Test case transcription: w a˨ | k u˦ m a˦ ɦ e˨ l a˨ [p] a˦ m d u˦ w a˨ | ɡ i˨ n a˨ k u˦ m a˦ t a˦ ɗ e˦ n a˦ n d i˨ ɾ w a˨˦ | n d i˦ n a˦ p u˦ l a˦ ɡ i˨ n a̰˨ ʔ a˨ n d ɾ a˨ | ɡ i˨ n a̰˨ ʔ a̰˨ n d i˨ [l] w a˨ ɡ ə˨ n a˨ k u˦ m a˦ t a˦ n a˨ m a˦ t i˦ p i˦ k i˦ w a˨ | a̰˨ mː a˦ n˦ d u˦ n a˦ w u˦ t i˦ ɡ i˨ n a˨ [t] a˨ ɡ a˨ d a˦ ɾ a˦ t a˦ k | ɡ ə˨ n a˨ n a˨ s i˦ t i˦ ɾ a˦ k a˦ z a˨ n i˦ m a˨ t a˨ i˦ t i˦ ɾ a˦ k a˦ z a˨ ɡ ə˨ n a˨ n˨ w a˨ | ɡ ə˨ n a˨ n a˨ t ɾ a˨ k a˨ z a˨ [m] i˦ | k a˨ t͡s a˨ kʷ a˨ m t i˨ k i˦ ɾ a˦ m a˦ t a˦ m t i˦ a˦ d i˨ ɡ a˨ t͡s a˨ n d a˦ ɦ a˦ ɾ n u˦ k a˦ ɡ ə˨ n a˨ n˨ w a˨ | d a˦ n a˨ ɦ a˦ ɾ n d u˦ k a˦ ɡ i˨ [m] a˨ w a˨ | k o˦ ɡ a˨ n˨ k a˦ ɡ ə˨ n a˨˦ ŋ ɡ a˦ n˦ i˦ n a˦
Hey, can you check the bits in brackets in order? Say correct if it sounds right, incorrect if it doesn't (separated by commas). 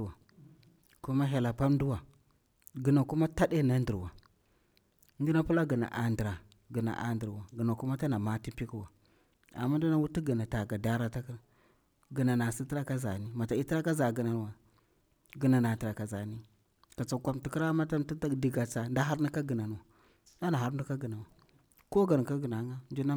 correct, incorrect, correct, incorrect, incorrect